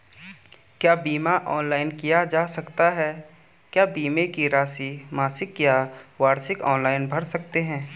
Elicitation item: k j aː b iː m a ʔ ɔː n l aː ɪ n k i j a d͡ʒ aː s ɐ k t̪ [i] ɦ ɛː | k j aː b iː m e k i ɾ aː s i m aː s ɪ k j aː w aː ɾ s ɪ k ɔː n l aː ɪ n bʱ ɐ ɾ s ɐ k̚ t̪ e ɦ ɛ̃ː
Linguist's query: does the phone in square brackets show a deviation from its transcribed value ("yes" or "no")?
yes